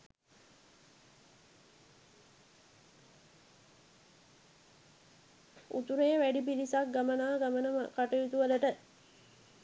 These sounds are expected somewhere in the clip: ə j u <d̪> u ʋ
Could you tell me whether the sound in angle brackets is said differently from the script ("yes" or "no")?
yes